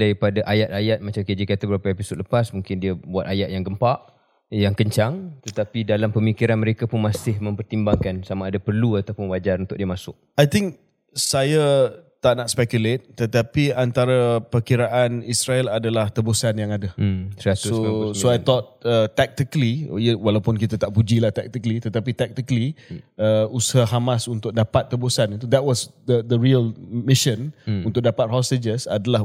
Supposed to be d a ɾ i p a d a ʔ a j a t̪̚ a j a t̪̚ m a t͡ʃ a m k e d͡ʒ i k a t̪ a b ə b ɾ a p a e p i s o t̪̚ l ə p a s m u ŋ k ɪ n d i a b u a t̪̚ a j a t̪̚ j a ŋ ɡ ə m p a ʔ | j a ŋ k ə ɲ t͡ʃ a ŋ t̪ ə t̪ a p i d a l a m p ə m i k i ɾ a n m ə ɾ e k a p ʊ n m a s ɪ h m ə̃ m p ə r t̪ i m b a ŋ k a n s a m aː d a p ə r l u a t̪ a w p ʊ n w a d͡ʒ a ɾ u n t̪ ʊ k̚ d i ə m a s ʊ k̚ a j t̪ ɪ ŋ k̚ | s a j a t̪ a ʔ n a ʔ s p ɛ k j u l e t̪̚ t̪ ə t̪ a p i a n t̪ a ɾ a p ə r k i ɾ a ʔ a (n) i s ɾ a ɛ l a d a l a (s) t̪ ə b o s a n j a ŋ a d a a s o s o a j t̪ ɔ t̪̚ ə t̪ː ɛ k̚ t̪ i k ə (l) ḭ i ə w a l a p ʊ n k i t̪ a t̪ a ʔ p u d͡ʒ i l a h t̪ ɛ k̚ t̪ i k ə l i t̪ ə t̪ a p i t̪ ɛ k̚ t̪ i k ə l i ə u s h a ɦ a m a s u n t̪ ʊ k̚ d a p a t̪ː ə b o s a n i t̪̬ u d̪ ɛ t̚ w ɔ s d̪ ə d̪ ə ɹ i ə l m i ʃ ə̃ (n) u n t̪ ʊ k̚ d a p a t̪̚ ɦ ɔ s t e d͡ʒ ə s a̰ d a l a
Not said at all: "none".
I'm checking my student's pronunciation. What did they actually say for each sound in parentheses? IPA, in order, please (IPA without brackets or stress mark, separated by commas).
n, h, l, n